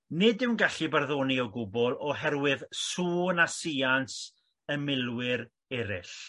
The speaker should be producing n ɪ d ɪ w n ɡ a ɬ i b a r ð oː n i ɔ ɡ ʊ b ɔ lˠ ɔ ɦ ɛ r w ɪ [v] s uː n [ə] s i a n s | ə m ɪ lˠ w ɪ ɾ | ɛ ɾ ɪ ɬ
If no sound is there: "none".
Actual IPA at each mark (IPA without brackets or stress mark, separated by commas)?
ð, a